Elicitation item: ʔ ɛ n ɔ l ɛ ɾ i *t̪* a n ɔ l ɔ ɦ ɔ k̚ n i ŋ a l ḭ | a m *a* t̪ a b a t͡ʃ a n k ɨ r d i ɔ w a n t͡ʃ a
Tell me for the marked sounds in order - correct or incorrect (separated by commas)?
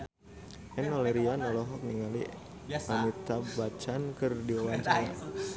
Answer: incorrect, incorrect